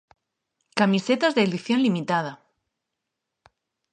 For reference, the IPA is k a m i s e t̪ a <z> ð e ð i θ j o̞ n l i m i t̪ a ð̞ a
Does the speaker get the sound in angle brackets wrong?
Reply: no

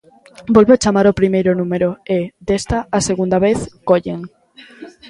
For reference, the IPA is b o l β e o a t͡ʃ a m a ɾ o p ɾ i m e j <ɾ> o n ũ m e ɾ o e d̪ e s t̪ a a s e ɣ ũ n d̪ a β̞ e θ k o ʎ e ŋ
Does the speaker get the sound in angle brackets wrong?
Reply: no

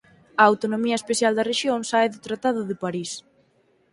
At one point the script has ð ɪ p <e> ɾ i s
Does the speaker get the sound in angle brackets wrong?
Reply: yes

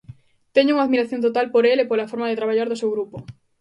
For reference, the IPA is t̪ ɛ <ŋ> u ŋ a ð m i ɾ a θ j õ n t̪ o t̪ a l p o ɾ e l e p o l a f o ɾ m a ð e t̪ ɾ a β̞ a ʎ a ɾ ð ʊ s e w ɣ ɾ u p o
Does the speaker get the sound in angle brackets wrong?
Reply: yes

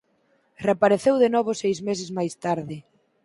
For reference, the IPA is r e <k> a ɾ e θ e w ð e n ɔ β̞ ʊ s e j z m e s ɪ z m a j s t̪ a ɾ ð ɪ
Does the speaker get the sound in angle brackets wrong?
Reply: yes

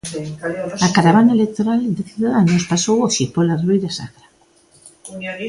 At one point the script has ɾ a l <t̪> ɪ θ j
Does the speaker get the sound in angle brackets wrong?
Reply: yes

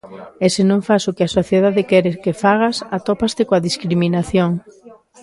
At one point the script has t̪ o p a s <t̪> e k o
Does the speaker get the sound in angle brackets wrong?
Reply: no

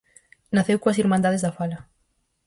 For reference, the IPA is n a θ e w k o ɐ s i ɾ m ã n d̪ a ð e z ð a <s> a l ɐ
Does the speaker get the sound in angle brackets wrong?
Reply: yes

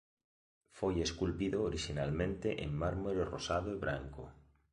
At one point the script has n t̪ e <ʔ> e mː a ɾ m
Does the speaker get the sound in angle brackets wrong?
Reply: no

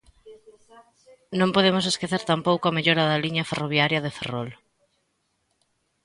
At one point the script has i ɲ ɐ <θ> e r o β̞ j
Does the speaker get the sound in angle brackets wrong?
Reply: yes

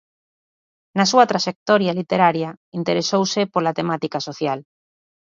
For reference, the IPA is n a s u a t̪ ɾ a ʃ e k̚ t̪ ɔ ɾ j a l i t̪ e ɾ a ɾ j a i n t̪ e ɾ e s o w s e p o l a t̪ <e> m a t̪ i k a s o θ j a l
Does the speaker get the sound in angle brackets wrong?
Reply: no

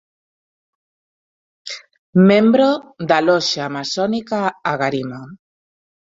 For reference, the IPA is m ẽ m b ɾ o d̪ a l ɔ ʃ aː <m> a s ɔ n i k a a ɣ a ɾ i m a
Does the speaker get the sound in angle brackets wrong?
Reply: no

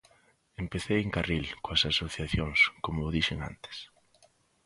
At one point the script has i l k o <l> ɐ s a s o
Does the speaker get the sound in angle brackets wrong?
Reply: yes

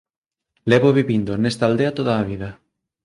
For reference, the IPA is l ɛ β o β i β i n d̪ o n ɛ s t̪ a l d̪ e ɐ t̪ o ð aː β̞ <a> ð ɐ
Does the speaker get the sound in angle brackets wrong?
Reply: yes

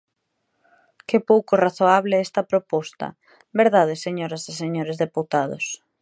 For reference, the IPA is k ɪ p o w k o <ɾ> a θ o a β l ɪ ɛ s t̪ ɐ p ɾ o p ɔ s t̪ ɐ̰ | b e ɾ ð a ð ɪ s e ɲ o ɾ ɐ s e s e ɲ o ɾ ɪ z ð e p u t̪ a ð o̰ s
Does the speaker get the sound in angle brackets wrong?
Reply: yes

